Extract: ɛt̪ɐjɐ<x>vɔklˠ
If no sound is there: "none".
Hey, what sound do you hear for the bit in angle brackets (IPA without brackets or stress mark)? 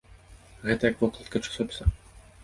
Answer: k